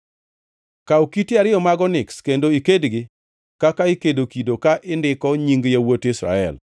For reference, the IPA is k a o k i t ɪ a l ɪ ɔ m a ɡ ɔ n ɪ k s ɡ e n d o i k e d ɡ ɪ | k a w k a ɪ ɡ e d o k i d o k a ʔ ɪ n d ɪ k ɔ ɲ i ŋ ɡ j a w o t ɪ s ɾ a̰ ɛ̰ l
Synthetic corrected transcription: k a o k i t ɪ a ɾ ɪ ɔ m a ɡ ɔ n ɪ k s k e n d o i k e d ɡ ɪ | k a k a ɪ k e d o k i d o k a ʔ ɪ n d ɪ k ɔ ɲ i ŋ ɡ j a w o t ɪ s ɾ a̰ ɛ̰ l